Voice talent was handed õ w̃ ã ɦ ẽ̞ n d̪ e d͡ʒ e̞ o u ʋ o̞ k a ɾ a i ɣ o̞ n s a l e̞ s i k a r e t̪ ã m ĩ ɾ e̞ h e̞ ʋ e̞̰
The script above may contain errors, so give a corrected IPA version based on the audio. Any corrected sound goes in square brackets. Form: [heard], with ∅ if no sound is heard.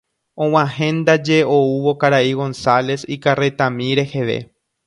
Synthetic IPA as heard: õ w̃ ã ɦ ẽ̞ n d̪ [a] d͡ʒ e̞ o u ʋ o̞ k a ɾ a i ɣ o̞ n s a l e̞ s i k a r e t̪ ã m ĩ ɾ e̞ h e̞ ʋ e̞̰